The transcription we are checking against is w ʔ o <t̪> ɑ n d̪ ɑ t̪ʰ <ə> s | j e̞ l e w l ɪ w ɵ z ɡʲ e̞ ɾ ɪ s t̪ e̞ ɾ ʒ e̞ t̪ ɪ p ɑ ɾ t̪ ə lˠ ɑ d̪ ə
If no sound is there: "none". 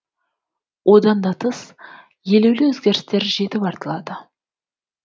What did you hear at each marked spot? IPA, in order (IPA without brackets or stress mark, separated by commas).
d̪, ə